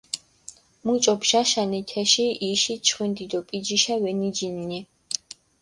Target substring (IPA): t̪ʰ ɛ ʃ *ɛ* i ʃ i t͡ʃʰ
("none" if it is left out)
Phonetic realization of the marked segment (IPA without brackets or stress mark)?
i